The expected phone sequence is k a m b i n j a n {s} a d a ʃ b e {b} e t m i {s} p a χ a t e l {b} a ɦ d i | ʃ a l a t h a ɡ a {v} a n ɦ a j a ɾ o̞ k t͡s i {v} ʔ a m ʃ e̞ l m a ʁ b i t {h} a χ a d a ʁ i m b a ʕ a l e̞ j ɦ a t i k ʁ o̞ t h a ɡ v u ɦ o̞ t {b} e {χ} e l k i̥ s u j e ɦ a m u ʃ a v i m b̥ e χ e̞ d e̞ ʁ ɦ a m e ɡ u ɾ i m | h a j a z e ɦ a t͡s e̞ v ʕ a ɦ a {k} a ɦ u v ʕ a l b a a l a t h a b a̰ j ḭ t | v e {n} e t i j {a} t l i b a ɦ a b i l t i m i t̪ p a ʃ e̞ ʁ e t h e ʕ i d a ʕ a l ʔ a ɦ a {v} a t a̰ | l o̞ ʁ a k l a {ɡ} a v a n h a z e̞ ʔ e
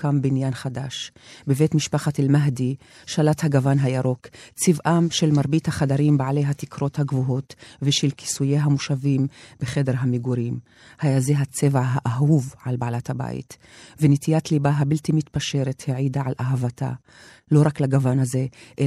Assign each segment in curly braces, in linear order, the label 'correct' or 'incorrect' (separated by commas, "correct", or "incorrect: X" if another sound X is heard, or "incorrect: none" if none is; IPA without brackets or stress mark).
incorrect: χ, incorrect: v, incorrect: ʃ, incorrect: m, correct, correct, correct, incorrect: v, incorrect: ʃ, incorrect: ʔ, correct, correct, correct, correct